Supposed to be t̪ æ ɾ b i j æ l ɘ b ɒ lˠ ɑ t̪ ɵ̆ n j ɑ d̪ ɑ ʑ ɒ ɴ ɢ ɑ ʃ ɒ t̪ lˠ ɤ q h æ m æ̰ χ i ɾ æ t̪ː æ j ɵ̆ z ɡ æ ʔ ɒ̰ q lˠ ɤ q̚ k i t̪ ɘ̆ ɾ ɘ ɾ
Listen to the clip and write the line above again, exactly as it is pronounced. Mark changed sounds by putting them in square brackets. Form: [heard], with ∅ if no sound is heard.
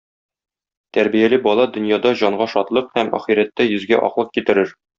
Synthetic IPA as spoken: t̪ æ ɾ b i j æ l ɘ b ɒ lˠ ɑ [d̪] ɵ̆ n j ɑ d̪ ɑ ʑ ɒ ɴ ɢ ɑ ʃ ɒ t̪ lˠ ɤ q h æ m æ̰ χ i ɾ æ t̪ː æ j ɵ̆ z ɡ æ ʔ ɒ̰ q lˠ ɤ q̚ k i t̪ ɘ̆ ɾ ɘ ɾ

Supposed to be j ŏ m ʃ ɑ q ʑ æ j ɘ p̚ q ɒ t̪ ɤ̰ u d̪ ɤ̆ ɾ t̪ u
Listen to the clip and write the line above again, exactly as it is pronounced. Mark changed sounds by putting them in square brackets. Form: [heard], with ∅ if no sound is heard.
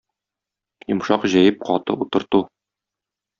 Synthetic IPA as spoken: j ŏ m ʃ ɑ q ʑ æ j ɘ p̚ q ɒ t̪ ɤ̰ u [t̪] ɤ̆ ɾ t̪ u

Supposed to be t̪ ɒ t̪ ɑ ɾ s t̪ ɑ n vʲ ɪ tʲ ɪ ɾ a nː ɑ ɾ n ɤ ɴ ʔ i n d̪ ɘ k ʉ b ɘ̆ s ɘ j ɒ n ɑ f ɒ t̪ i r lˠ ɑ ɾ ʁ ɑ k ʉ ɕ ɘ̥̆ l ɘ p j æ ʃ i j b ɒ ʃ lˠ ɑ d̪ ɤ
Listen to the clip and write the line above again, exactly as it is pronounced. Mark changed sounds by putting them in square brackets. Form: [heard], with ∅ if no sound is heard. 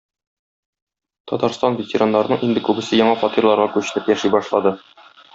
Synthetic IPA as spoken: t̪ ɒ t̪ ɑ ɾ s t̪ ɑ n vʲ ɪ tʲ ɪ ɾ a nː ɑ ɾ n ɤ ɴ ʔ i n d̪ ɘ k ʉ b ɘ̆ s ɘ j ɒ [ɴ] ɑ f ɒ t̪ i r lˠ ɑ ɾ ʁ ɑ k ʉ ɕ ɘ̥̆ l ɘ p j æ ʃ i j b ɒ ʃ lˠ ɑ d̪ ɤ

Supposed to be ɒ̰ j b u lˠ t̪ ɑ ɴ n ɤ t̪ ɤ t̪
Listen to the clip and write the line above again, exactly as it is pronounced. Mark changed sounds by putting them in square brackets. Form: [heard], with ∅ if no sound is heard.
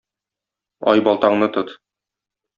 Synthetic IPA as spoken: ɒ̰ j b [ɒ] lˠ t̪ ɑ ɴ n ɤ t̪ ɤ t̪

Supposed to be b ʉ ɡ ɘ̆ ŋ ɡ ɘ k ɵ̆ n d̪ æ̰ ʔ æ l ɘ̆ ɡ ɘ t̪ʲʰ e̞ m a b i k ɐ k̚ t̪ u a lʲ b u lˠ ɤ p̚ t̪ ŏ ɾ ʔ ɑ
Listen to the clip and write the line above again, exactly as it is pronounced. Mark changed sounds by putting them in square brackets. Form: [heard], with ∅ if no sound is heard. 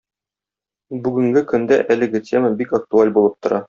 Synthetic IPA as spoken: b ʉ ɡ ɘ̆ ŋ ɡ ɘ k ɵ̆ n d̪ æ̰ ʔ æ l ɘ̆ ɡ ɘ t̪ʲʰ e̞ m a b i k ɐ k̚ t̪ u a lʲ b u lˠ ɤ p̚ t̪ ŏ ɾ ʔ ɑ

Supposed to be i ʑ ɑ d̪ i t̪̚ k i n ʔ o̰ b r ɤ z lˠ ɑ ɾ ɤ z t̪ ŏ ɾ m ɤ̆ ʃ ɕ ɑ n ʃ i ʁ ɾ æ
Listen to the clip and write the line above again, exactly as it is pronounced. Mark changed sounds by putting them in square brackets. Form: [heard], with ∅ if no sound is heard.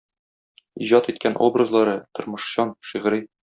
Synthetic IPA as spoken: i ʑ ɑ [t̪] i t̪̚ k [æ] n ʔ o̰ b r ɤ z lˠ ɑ ɾ ɤ [∅] t̪ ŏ ɾ m ɤ̆ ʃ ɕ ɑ n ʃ i ʁ ɾ [i]

